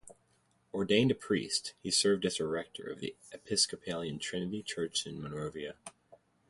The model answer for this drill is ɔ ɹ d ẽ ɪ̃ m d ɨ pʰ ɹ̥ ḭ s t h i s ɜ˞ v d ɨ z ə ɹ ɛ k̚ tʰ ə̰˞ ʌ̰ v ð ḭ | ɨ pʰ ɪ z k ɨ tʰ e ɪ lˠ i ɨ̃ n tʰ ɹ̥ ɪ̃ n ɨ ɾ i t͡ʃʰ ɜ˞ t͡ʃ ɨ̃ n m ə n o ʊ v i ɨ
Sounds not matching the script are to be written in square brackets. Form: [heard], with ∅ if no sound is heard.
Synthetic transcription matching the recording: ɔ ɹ d ẽ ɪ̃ [n] d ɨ pʰ ɹ̥ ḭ s t h i s ɜ˞ v d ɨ z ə ɹ ɛ k̚ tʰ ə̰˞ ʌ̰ v ð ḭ | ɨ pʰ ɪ [s] k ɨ [pʰ] e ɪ lˠ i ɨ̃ n tʰ ɹ̥ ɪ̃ n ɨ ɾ i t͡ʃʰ ɜ˞ t͡ʃ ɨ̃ n m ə n o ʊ v i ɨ